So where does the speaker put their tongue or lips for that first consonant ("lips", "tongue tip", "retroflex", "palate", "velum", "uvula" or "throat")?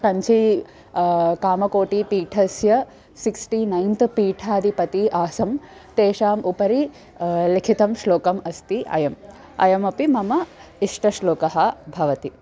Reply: velum